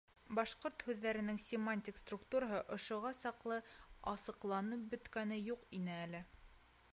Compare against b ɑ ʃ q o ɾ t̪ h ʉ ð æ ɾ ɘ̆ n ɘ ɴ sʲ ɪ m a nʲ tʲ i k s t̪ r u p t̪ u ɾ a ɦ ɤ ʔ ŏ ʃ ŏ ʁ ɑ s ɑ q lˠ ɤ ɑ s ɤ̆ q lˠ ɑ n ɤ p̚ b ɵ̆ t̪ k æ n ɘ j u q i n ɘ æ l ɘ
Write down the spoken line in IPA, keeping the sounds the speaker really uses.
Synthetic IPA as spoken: b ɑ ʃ q o ɾ t̪ h ʉ ðː æ ɾ ɘ̆ n ɘ ŋ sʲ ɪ m a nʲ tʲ i k s t̪ r u k t̪ u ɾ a ɦ ɤ ʔ ŏ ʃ ŏ ʁ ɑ s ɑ q lˠ ɤ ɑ s ɤ̆ q lˠ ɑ n ɤ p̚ b ɵ̆ t̪ k æ n ɘ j u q i n ɘ æ l ɘ